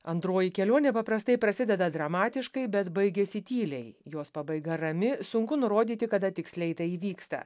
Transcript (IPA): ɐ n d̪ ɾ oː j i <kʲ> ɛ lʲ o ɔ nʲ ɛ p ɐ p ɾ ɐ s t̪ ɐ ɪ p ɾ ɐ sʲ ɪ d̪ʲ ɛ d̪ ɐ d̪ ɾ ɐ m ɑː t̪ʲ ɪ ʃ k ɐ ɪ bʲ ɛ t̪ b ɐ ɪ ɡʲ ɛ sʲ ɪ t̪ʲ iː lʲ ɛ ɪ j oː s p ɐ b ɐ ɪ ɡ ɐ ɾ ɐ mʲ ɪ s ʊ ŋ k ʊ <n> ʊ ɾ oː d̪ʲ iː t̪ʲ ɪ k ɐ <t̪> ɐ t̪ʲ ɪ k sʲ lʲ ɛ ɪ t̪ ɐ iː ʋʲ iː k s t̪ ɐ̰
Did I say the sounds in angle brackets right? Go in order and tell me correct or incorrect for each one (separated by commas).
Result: correct, correct, incorrect